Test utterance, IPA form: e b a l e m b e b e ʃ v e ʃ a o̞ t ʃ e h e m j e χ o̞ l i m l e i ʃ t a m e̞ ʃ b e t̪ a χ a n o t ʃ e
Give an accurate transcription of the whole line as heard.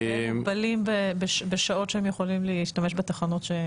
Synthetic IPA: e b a l i m b e b e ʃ b e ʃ a o̞ t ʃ e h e m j e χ o̞ l i m l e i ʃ t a m e̞ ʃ b e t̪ a χ a n o t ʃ e